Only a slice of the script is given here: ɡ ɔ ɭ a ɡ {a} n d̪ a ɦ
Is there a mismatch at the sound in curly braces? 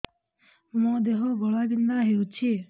yes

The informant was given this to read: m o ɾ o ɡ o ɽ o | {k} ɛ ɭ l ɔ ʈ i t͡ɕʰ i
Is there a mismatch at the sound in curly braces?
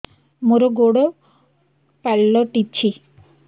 yes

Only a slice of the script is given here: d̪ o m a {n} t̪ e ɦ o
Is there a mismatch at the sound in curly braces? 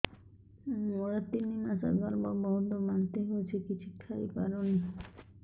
no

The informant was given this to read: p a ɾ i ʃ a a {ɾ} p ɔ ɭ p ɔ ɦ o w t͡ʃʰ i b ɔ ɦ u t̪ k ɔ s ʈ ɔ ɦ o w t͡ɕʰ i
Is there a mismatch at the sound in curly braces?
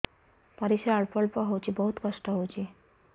yes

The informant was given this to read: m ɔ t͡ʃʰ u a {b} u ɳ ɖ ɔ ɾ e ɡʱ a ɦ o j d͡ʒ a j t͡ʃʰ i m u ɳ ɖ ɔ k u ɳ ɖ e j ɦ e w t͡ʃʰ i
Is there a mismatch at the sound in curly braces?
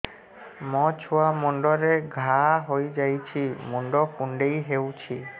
yes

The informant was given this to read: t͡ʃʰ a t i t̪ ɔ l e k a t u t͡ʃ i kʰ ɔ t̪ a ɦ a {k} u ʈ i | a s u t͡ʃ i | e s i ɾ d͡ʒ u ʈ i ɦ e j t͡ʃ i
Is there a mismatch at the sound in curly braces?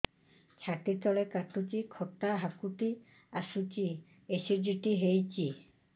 no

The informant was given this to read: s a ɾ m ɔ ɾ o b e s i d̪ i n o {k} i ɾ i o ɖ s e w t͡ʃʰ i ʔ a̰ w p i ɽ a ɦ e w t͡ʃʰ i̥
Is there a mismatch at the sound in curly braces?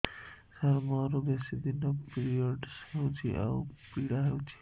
yes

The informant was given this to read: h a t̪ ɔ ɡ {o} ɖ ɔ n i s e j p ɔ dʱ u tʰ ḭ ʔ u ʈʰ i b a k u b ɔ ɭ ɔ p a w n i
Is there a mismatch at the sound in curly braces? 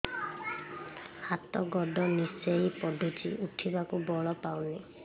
yes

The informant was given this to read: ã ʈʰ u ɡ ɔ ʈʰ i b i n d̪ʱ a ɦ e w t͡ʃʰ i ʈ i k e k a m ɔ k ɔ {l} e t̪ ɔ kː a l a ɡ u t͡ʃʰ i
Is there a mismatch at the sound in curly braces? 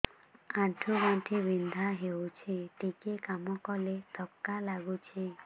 no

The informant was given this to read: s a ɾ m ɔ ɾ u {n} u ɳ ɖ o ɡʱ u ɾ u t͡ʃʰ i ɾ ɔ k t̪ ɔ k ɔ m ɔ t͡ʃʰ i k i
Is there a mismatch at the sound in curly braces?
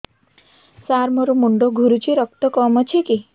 yes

